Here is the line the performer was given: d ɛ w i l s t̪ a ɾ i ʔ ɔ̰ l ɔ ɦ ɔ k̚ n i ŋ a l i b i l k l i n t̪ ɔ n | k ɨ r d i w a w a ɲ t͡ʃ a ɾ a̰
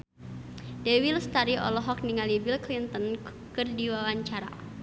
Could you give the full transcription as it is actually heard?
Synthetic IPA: d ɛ w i l s t̪ a ɾ i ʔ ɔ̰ l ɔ ɦ ɔ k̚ n i ŋ a l i b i l k l i n t̪ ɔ n | k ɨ r d i w a w a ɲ t͡ʃ a ɾ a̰